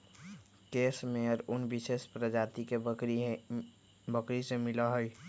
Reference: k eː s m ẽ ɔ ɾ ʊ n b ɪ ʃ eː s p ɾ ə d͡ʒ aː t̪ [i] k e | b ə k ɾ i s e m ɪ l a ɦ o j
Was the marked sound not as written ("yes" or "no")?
no